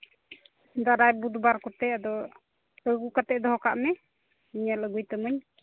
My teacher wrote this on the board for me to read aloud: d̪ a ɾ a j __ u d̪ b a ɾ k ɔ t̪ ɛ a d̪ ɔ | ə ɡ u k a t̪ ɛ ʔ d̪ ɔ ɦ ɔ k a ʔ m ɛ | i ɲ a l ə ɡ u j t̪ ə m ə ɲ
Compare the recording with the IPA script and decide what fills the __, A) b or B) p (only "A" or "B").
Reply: A